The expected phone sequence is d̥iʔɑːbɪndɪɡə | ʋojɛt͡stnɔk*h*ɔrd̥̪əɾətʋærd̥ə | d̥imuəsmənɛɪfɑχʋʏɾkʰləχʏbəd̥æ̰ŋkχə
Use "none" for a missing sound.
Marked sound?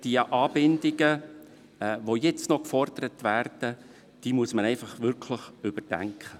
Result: f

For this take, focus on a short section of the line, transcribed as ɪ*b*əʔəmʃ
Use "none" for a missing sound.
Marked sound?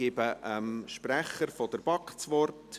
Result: b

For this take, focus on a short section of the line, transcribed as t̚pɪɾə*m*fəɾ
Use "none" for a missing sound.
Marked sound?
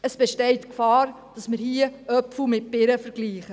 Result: none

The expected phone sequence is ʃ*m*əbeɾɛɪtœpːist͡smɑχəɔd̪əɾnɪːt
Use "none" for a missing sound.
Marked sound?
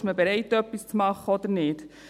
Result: m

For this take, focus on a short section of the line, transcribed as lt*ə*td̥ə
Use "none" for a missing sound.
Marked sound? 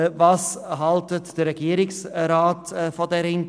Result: ə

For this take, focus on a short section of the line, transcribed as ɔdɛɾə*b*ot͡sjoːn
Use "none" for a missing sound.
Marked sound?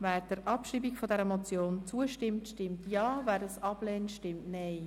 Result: m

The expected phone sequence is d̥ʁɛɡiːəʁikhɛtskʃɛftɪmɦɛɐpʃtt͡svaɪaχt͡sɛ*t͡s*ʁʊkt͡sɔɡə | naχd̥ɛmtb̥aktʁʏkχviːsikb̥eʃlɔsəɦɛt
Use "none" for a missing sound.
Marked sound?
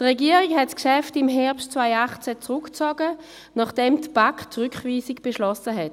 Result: t͡s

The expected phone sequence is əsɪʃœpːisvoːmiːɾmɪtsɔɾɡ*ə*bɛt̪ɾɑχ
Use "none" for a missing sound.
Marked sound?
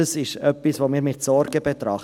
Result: ə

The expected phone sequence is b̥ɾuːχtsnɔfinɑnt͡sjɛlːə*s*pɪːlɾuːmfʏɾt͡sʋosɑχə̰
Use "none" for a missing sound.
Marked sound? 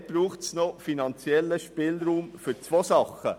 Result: ʃ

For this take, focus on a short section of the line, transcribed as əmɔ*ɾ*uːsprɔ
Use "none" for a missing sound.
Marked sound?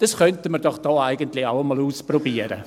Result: l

